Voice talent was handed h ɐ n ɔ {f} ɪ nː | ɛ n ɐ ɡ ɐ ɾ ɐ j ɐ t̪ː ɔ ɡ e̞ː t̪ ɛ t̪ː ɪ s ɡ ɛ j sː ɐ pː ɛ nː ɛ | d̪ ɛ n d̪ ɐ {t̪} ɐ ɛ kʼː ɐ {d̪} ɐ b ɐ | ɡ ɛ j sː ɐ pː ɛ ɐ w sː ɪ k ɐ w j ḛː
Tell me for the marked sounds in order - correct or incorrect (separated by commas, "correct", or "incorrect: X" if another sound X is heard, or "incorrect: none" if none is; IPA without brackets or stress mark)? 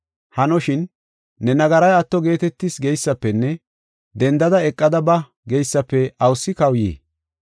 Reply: incorrect: ʃ, incorrect: d̪, correct